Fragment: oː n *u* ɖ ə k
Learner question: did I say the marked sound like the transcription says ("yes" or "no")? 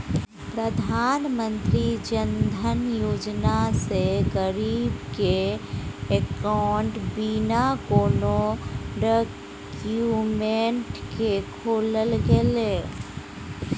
no